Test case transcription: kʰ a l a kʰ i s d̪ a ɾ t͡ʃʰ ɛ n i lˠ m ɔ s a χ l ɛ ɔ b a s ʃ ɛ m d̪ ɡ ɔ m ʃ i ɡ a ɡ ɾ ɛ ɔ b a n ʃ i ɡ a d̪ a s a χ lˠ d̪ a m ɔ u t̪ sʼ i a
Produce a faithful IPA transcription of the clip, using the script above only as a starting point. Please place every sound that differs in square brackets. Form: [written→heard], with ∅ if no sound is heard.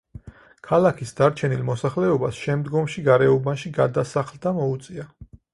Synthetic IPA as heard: kʰ a l a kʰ i s d̪ a ɾ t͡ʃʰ ɛ n i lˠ m ɔ s a χ l ɛ ɔ b a s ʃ ɛ m d̪ ɡ ɔ m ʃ i ɡ a [ɡ→∅] ɾ ɛ ɔ b a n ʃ i ɡ a d̪ a s a χ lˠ d̪ a m ɔ u t̪ sʼ i a